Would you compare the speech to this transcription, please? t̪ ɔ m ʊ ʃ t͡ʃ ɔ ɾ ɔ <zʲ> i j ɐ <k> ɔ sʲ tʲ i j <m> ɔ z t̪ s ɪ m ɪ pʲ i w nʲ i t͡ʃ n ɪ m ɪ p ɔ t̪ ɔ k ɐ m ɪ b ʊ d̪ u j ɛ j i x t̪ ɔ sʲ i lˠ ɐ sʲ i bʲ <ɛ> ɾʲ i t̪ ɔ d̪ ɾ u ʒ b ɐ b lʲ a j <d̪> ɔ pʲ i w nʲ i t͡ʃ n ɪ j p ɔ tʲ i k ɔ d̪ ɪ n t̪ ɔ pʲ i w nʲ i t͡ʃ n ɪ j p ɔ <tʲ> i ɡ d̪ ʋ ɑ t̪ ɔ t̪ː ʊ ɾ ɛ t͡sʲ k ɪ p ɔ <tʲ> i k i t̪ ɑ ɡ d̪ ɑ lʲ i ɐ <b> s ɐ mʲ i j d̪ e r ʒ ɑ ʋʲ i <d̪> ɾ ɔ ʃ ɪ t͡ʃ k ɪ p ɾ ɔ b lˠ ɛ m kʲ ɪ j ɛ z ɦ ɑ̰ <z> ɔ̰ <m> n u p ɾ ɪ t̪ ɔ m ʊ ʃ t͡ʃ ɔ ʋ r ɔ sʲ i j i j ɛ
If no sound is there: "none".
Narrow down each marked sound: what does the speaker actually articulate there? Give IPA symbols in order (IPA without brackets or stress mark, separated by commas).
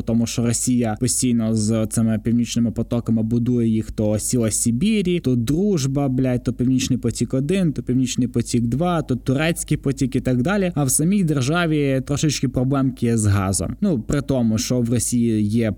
sʲ, p, n, i, t̪, tʲ, tʲ, w, t̪, z, m